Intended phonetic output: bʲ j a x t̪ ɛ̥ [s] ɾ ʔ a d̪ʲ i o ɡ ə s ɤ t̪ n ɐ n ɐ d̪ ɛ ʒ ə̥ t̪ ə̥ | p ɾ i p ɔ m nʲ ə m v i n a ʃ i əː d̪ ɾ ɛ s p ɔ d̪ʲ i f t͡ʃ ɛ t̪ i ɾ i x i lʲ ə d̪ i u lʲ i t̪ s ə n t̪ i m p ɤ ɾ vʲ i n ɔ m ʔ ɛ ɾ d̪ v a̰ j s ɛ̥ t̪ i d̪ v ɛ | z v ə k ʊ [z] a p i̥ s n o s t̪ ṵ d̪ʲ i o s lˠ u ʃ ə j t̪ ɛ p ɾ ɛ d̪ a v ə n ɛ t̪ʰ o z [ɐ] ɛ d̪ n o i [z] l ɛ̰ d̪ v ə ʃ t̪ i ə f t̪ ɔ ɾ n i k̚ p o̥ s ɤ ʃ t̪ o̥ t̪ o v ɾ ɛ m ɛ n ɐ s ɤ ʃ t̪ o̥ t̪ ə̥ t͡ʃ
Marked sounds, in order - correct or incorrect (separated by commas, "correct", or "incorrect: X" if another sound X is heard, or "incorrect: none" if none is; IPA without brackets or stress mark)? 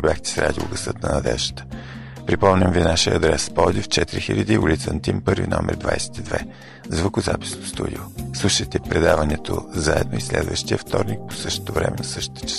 correct, correct, incorrect: a, incorrect: s